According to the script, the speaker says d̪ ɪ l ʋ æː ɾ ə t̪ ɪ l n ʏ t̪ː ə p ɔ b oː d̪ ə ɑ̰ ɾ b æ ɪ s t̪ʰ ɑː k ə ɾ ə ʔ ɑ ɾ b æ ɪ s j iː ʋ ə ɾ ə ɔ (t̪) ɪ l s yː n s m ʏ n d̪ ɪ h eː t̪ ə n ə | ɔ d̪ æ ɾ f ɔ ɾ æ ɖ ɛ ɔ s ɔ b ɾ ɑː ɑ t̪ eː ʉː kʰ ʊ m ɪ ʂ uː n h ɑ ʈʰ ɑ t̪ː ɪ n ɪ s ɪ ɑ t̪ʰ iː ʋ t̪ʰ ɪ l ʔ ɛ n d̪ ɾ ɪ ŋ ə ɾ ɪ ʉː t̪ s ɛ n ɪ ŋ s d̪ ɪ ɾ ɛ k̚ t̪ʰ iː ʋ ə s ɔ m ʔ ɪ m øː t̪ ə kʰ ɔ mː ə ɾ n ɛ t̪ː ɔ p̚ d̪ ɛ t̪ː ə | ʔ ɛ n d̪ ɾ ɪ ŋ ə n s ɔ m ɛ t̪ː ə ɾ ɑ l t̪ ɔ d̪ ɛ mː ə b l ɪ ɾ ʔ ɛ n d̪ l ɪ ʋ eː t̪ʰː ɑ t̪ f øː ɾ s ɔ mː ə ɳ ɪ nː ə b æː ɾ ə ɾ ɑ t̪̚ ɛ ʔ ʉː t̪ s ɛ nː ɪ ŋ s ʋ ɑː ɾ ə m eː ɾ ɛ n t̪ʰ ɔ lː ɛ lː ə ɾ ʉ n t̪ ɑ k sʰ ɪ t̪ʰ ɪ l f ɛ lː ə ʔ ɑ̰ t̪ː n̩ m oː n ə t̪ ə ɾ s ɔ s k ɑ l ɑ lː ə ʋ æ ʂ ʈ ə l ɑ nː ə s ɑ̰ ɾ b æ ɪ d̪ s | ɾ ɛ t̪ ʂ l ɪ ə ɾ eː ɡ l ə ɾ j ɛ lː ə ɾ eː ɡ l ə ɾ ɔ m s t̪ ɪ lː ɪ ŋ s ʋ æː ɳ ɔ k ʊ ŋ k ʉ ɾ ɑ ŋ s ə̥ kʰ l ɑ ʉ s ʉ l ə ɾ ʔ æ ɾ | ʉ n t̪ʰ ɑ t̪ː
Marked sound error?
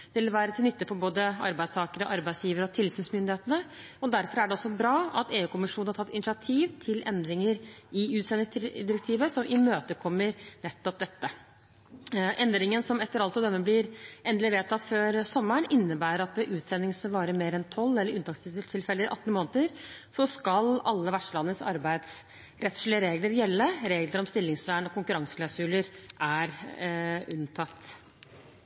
yes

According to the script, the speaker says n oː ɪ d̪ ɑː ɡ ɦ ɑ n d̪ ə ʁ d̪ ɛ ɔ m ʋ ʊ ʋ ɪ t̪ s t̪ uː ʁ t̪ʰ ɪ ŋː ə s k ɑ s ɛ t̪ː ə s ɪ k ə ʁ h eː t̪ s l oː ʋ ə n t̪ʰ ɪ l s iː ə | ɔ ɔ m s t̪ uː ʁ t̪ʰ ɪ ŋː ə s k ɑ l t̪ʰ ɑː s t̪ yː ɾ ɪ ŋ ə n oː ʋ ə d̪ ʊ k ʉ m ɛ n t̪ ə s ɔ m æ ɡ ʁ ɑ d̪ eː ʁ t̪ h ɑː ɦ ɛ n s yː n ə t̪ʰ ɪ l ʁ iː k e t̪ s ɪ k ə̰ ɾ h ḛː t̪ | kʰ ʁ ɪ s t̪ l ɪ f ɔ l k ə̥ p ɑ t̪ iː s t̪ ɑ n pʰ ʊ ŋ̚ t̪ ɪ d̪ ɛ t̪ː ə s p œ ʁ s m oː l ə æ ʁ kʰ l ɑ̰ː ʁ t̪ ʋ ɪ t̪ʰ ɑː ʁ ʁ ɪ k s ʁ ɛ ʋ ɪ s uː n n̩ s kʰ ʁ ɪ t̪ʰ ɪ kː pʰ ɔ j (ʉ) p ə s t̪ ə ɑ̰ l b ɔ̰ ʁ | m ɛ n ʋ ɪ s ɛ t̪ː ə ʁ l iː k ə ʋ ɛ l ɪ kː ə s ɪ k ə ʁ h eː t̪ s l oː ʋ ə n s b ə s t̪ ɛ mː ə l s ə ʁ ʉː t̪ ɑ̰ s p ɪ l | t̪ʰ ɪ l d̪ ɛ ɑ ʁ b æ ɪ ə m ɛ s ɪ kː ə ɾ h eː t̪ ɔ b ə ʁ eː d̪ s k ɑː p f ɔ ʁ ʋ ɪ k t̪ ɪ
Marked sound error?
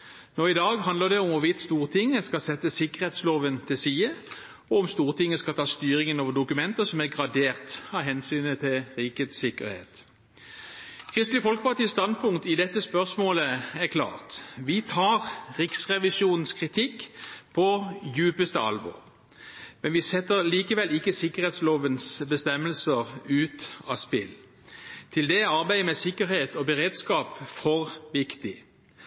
yes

